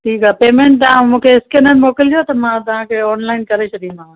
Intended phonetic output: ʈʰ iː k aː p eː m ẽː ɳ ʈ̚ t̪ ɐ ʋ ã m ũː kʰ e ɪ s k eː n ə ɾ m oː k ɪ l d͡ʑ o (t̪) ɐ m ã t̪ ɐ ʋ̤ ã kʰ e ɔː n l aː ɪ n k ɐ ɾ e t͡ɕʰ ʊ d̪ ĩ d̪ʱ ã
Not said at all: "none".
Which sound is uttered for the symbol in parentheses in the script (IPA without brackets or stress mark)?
t̪